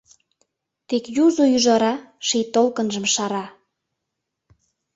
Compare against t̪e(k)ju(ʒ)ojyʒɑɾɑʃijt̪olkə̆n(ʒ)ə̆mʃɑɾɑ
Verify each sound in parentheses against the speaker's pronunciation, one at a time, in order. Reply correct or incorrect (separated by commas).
correct, incorrect, correct